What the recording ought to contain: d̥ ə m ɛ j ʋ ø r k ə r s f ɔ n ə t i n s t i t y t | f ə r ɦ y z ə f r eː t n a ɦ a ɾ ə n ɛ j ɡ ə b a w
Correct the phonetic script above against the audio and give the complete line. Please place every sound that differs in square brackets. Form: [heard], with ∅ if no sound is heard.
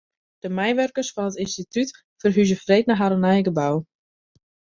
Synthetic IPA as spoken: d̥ ə m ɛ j ʋ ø r k ə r s f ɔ n ə t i n s t i t y t | f ə r ɦ y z ə f r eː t n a ɦ a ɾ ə n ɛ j ɡ ə b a w